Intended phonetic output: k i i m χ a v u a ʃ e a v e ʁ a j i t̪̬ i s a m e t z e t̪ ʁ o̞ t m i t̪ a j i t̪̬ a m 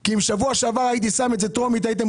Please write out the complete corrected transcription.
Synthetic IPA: k i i m ʃ a v u a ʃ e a v a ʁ a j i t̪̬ i s a m e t z e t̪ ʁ o̞ m i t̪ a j i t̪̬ e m

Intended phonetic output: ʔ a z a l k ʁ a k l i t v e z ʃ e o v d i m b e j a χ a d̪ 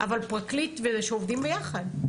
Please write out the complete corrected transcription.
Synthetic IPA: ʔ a v a l p ʁ a k l i t v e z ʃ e o v d i m b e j a χ a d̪

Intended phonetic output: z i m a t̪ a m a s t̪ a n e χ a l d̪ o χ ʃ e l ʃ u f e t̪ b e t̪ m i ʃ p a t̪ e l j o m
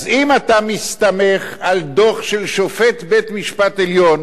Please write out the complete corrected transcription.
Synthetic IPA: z i m a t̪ a m i s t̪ a m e χ a l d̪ o χ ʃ e l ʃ o f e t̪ b e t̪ m i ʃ p a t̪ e l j o n

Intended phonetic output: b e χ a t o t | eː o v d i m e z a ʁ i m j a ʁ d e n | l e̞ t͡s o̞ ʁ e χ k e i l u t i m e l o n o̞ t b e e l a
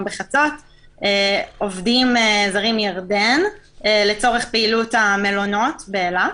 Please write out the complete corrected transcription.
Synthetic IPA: b e χ a t͡s o t | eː o v d i m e z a ʁ i m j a ʁ d e n | l e̞ t͡s o̞ ʁ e χ p e i l u t a m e l o n o̞ t b e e l a

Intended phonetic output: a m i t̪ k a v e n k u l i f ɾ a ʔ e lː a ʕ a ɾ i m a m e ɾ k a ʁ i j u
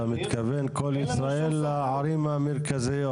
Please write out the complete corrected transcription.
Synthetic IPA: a m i t̪ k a v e n k o l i s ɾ a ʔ e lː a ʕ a ɾ i m a m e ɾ k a z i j o

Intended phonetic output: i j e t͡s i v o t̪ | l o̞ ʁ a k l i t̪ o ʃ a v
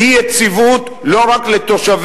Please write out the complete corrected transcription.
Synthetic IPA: i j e t͡s i v u t̪ | l o̞ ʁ a k l e t̪ o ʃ a v

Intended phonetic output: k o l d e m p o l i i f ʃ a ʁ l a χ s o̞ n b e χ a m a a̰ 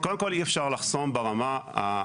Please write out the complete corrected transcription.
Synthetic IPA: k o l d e m k o l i e f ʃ a ʁ l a χ s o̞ m b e ʁ a m a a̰

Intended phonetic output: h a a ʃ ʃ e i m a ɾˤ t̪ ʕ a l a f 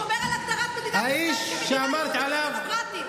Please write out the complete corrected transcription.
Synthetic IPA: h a i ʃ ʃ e a m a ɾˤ t̪ ʕ a l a v

